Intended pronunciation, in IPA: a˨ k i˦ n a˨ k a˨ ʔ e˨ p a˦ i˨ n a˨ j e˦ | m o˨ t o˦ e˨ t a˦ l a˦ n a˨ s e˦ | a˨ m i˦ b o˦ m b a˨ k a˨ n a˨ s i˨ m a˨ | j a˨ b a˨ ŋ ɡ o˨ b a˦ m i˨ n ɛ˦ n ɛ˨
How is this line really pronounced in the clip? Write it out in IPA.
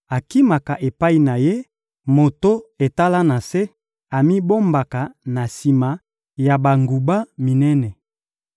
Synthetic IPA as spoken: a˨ k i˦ m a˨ k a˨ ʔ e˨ p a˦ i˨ n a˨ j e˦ | m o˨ t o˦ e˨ t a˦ l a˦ n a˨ s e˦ | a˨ m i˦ b o˦ m b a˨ k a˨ n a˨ s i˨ m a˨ | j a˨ b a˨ ŋ ɡ u˨ b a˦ m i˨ n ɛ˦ n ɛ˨